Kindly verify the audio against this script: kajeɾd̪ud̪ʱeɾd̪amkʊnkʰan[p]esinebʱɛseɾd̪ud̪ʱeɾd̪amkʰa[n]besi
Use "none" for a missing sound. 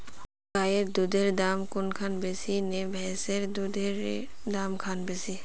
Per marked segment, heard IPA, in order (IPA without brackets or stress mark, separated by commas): b, n